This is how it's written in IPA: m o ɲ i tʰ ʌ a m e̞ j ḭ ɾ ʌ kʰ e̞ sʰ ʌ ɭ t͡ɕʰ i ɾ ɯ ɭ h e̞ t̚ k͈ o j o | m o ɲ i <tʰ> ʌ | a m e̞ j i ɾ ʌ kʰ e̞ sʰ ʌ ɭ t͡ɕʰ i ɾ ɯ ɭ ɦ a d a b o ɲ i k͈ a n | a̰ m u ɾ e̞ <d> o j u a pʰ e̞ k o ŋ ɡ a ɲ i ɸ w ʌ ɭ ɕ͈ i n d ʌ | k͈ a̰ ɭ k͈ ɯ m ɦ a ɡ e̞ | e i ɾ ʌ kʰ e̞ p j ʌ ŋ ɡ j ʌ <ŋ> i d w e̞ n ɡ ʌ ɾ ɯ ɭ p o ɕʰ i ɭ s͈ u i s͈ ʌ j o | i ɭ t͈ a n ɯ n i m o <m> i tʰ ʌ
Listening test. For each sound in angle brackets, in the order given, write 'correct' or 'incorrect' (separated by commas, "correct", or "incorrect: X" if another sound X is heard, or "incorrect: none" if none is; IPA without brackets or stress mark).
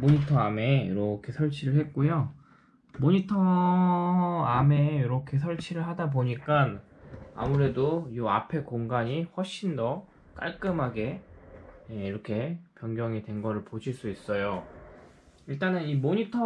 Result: correct, correct, correct, incorrect: ɲ